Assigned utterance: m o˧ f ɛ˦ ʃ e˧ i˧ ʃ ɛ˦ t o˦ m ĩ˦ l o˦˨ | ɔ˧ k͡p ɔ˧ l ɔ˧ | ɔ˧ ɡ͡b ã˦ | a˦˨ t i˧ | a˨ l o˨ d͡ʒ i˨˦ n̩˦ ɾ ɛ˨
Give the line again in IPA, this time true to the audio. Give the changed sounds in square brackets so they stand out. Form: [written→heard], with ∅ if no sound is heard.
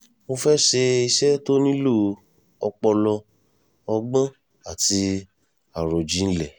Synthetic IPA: m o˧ f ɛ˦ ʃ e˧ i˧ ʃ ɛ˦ t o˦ [m→n] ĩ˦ l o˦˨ | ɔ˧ k͡p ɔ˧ l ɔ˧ | ɔ˧ ɡ͡b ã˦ | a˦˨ t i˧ | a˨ [l→ɾ] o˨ d͡ʒ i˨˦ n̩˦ [ɾ→l] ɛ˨

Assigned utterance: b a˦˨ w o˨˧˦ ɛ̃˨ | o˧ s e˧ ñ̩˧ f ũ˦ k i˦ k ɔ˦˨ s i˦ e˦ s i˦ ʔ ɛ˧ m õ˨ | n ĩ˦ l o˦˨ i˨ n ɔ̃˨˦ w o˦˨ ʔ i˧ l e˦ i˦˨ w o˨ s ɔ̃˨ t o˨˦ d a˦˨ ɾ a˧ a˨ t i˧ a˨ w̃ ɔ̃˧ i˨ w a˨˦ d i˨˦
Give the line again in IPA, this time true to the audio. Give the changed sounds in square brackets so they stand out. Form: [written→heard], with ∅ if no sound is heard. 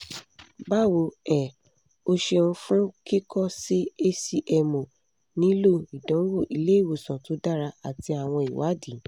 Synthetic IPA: b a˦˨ w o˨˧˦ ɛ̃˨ | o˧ [s→ʃ] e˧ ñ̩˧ f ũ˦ k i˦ k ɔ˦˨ s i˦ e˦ s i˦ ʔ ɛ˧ m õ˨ | n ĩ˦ l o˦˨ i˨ [n→d] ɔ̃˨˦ w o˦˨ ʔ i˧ l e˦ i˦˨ w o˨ s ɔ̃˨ t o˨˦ d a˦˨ ɾ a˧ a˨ t i˧ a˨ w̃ ɔ̃˧ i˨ w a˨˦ d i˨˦

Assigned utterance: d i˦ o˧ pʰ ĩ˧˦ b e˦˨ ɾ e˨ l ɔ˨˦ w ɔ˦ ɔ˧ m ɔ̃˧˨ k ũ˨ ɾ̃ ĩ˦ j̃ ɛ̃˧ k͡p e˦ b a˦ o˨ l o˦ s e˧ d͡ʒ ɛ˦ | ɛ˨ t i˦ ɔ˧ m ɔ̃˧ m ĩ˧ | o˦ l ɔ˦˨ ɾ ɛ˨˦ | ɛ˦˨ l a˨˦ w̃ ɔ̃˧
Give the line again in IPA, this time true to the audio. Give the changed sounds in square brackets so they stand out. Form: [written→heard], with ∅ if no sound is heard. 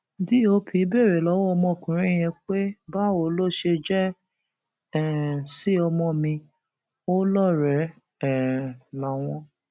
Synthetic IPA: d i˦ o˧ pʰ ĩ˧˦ b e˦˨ ɾ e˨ l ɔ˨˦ w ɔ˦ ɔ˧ m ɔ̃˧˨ k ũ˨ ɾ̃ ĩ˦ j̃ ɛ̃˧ k͡p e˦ b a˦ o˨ l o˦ [s→ʃ] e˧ d͡ʒ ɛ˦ | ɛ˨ [t→s] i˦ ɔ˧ m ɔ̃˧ m ĩ˧ | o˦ l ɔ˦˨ ɾ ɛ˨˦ | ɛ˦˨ l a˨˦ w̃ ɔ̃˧

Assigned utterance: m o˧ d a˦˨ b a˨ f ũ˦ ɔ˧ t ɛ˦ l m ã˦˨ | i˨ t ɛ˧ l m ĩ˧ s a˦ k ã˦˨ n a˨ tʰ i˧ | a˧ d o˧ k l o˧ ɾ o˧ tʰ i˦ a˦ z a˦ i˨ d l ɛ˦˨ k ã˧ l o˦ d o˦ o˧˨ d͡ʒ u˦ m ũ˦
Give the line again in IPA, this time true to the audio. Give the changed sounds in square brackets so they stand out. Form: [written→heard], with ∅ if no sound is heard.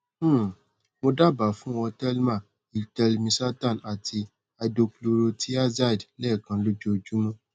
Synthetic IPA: m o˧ d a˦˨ b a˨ f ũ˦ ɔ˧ t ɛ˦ l m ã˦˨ | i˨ t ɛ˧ l m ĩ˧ s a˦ [k→t] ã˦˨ n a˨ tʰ i˧ | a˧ d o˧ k l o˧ ɾ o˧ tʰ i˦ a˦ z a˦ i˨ d l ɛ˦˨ k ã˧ l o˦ [d→d͡ʒ] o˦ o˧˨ d͡ʒ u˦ m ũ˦

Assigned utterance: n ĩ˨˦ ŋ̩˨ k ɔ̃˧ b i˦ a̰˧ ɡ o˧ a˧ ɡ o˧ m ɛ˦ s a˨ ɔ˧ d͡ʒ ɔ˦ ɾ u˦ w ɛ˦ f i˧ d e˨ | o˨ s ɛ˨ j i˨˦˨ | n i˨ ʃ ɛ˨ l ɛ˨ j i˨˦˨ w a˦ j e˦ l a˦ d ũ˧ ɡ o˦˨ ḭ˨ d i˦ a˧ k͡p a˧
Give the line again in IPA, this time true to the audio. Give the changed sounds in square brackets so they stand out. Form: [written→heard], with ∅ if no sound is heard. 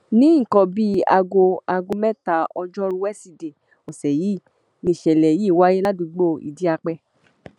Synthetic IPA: n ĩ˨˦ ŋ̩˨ k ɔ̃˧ b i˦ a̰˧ ɡ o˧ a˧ ɡ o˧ m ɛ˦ [s→t] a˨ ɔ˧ d͡ʒ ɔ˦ ɾ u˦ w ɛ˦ [f→s] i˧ d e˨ | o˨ s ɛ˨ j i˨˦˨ | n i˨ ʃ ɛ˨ l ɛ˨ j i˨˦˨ w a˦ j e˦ l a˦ d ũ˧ [ɡ→ɡ͡b] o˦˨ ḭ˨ d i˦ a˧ k͡p [a˧→ɛ˧]

